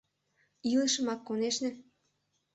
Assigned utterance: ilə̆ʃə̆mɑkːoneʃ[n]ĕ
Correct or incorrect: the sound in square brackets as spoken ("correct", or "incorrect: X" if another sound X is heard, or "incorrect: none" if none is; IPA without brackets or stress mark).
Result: correct